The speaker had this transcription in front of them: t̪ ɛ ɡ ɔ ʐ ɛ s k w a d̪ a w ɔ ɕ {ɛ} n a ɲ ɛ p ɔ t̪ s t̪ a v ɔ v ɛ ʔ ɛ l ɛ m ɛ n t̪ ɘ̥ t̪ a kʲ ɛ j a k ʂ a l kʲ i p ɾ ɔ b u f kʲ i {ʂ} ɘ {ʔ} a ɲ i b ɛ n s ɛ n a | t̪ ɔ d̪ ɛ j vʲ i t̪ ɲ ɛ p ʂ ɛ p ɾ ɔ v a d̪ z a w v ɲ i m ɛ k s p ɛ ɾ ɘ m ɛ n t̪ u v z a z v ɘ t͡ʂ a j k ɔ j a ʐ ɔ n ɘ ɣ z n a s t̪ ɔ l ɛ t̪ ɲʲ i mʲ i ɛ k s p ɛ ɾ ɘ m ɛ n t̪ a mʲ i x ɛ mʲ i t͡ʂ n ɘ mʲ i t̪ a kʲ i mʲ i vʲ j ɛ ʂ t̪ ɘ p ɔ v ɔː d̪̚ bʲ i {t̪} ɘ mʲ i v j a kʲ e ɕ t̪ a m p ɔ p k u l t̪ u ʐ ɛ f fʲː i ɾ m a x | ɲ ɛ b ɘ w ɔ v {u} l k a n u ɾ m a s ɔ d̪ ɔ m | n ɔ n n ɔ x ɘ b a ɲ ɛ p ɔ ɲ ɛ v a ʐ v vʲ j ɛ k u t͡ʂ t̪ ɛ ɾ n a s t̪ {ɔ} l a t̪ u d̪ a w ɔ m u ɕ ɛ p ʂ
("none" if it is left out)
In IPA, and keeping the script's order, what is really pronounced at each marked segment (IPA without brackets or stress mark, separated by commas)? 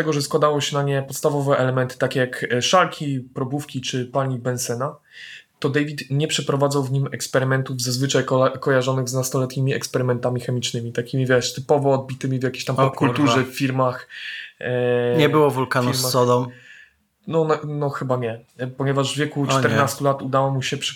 ɛ, t͡ʂ, p, t̪, u, u